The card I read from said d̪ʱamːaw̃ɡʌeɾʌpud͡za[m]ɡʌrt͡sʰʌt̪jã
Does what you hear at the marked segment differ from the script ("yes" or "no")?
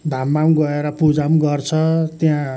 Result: no